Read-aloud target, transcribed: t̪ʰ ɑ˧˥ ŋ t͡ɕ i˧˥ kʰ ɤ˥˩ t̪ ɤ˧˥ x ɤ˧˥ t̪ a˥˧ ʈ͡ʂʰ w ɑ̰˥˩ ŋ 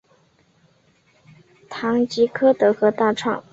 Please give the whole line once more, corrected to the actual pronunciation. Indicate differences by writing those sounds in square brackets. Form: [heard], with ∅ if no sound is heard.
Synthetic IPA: t̪ʰ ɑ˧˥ ŋ t͡ɕ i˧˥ kʰ [ɤ˥] t̪ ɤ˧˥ x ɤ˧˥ t̪ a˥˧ ʈ͡ʂʰ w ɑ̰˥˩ ŋ